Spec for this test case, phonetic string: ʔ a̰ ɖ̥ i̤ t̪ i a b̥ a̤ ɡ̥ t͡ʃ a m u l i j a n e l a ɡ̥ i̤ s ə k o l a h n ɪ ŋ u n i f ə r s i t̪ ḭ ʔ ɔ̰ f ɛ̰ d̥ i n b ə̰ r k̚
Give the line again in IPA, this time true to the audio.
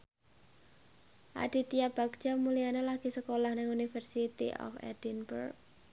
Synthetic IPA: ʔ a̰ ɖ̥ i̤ t̪ i a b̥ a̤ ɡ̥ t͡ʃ a m u l i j a n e l a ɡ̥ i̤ s ə k o l a h n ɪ ŋ u n i f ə r s i t̪ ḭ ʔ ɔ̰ f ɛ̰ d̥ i n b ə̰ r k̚

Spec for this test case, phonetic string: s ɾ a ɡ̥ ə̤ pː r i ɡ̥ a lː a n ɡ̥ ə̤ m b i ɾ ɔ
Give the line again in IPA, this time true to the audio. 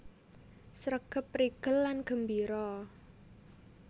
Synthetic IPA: s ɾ ə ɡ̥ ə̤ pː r i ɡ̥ ə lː a n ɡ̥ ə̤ m b i ɾ ɔ

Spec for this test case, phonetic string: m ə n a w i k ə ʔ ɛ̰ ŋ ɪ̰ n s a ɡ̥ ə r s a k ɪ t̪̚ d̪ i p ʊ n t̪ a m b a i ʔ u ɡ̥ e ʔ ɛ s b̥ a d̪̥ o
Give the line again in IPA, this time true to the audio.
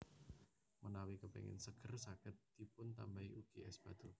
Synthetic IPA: m ə n a w i k ə p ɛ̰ ŋ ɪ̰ n s ə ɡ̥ ə r s a k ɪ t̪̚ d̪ i p ʊ n t̪ a m b a i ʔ u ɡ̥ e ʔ ɛ s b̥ a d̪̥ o

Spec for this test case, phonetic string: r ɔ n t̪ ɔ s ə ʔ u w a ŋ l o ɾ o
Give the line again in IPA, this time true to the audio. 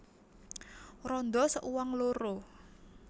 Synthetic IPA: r ɔ n d̪ ɔ s ə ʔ u w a ŋ l o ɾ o

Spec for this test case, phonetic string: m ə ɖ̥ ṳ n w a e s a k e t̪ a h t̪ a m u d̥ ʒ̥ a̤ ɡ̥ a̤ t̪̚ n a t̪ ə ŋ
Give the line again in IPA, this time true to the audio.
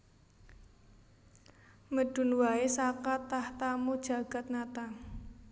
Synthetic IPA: m ə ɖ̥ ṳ n w a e s a k a t̪ a h t̪ a m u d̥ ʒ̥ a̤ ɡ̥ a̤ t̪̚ n a t̪ a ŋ

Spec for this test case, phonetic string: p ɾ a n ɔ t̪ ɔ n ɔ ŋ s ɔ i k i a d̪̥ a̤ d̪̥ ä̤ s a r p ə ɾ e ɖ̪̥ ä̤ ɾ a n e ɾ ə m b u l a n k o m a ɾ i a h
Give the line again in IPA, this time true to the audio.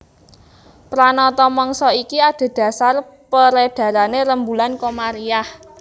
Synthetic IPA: p ɾ a n ɔ t̪ ɔ m ɔ ŋ s ɔ i k i a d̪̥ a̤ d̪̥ ä̤ s a r p ə ɾ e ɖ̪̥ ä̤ ɾ a n e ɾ ə m b u l a n k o m a ɾ i a h

